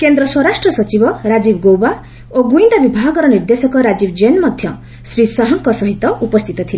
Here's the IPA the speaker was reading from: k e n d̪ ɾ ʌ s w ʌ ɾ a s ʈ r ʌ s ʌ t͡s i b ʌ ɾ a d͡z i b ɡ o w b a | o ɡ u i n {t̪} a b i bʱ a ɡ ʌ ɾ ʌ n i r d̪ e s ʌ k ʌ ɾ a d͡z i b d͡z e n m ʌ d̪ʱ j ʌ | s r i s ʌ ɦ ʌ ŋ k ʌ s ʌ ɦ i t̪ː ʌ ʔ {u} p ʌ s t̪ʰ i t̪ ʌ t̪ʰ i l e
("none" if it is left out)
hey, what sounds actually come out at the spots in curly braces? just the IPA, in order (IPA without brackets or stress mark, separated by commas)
d̪, u